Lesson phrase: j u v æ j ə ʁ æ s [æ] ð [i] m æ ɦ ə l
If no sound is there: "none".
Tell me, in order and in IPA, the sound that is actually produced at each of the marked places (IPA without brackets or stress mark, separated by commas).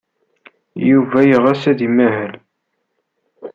æ, i